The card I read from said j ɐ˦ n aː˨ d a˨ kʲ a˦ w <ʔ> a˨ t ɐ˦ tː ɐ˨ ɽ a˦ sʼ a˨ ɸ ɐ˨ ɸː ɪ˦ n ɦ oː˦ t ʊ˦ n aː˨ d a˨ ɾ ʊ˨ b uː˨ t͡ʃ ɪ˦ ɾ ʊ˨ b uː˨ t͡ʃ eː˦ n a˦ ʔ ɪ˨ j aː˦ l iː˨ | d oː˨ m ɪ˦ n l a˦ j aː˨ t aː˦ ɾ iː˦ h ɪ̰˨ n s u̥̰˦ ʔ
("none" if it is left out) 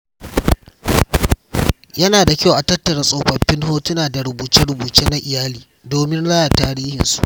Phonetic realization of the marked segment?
ʔ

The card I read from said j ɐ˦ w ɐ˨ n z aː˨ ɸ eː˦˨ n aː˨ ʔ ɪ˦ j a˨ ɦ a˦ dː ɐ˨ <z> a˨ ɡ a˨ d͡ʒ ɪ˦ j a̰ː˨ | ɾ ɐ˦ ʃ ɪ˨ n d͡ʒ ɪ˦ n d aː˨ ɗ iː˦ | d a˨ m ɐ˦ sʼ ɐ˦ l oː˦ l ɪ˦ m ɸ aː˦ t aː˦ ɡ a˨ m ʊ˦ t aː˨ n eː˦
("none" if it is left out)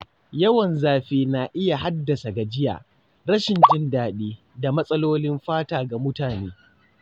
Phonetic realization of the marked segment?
s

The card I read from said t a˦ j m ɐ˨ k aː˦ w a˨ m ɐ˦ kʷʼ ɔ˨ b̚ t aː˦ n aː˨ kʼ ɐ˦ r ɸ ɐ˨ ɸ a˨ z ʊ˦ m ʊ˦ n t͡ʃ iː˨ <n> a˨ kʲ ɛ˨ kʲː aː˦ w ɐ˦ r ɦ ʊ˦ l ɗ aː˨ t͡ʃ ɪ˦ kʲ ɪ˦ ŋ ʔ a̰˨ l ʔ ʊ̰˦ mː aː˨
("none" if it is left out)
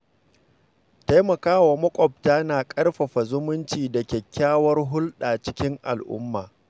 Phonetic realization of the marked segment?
d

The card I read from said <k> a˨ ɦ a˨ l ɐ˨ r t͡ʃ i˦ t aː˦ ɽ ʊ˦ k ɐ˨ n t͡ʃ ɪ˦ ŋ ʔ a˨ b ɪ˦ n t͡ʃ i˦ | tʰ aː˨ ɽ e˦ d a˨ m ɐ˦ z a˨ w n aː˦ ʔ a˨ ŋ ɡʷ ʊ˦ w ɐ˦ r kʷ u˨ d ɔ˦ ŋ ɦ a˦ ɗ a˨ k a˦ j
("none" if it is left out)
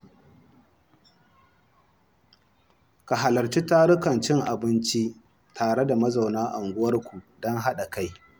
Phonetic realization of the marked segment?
k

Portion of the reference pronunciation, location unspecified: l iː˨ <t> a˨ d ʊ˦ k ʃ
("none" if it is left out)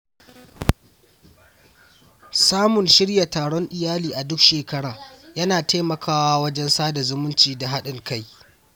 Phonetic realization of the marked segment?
ʔ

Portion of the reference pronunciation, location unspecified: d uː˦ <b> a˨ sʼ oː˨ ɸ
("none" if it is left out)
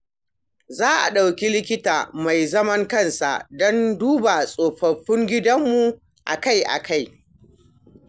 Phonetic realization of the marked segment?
b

